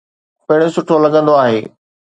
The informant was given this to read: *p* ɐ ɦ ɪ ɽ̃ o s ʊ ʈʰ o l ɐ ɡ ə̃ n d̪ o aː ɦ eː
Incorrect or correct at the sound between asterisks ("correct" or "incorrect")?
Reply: correct